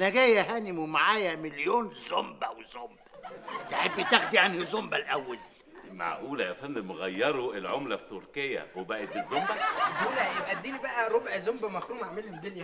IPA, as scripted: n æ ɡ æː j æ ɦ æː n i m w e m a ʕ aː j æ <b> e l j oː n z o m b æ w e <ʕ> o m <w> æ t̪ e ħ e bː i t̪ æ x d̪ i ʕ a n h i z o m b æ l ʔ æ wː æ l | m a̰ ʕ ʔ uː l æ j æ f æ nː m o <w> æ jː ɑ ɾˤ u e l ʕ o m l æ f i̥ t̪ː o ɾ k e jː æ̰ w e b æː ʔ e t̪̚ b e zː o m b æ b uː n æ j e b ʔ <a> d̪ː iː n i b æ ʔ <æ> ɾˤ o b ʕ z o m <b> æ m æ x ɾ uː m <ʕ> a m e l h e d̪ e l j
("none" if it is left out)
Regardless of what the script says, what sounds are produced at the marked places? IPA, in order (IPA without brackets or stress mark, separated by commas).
m, z, b, ɣ, æ, æ, b, ʕ